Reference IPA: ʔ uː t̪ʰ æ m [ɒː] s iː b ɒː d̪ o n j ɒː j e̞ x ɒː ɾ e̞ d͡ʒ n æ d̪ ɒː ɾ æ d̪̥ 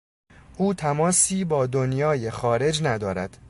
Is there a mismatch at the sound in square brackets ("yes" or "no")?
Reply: no